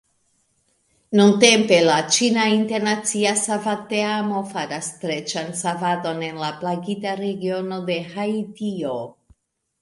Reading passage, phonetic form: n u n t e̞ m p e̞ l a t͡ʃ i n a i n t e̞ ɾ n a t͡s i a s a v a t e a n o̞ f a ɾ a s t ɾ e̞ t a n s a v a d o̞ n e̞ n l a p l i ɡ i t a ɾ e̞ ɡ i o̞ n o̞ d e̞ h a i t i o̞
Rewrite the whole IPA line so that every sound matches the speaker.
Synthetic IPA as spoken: n u n t e̞ m p e̞ l a t͡ʃ i n a i n t e̞ ɾ n a t͡s i a s a v a t e a m o̞ f a ɾ a s t ɾ e̞ t͡ʃ a n s a v a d o̞ n e̞ n l a p l a ɡ i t a ɾ e̞ ɡ i o̞ n o̞ d e̞ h a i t i o̞